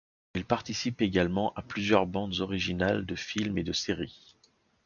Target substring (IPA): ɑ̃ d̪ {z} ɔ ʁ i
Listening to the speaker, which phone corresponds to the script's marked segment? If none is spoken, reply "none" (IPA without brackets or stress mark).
z